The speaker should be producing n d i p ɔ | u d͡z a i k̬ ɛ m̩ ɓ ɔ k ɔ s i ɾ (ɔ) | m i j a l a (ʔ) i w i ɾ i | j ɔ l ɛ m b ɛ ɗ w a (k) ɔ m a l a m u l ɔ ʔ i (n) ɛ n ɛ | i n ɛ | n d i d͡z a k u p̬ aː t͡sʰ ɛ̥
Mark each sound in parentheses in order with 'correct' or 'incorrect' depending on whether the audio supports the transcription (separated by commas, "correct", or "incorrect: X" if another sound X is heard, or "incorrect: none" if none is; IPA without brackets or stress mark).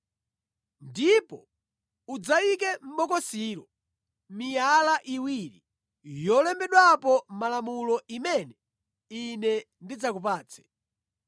correct, correct, incorrect: p, incorrect: m